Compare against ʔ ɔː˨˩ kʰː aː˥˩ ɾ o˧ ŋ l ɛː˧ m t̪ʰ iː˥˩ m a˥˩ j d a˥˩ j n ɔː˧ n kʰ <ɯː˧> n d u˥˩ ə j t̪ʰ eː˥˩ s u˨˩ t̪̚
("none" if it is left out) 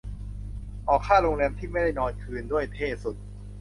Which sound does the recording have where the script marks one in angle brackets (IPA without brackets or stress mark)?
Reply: ɯː˧